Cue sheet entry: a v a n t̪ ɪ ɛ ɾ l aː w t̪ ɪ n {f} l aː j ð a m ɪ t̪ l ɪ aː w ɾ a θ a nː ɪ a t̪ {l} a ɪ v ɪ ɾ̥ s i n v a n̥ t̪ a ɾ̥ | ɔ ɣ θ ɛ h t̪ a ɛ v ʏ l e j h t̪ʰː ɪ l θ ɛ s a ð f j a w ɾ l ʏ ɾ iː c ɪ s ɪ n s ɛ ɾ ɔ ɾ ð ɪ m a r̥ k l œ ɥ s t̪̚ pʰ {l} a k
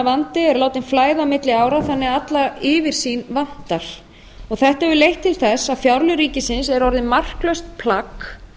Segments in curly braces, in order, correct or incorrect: correct, correct, correct

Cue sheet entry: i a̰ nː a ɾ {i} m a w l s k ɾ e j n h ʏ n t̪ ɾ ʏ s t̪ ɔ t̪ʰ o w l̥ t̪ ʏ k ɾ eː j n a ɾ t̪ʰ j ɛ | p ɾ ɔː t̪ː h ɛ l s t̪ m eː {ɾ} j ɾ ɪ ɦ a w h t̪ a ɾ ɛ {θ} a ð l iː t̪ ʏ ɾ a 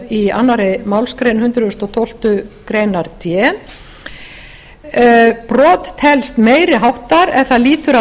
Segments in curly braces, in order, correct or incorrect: incorrect, incorrect, correct

